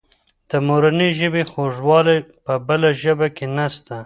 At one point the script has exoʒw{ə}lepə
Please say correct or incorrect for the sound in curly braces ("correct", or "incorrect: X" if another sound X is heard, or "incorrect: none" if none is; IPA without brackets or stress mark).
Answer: incorrect: ɑ